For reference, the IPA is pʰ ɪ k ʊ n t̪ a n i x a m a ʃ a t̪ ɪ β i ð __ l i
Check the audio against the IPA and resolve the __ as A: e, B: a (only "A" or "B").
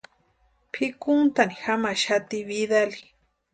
B